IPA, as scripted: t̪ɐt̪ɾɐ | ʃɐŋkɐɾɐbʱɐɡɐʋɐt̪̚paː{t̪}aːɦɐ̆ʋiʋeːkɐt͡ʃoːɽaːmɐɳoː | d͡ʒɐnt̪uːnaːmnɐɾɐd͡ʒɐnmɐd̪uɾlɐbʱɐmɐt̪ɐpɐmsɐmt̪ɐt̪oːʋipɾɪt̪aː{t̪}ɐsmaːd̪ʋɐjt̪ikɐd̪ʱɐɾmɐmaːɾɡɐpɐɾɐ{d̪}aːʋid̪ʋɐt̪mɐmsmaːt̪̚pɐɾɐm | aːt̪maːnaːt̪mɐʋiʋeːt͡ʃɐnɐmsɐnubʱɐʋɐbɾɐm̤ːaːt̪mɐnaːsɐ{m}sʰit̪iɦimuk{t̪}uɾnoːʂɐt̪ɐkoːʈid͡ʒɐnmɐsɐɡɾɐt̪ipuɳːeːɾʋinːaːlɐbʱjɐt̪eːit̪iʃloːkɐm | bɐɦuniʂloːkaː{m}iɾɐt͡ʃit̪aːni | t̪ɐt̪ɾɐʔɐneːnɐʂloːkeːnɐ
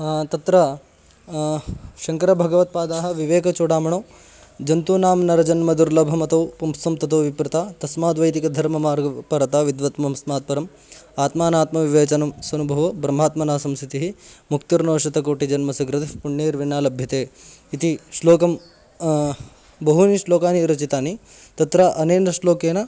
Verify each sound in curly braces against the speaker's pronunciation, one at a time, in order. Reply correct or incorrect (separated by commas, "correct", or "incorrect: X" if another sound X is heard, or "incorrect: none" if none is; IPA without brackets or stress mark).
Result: incorrect: d̪, correct, incorrect: t̪, correct, correct, incorrect: n